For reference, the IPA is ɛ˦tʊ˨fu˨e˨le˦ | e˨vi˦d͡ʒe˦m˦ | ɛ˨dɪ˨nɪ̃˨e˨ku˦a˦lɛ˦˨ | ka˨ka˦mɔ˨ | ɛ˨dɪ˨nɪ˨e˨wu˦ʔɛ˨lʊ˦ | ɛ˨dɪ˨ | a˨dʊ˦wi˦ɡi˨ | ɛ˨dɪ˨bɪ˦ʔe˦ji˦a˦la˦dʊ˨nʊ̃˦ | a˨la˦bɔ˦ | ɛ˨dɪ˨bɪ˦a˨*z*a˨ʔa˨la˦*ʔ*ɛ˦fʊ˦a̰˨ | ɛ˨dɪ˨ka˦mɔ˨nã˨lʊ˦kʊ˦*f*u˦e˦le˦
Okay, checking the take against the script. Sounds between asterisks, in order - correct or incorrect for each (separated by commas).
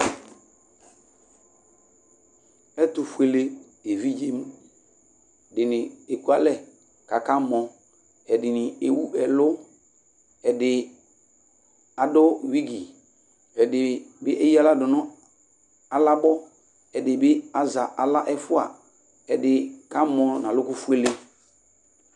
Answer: correct, correct, correct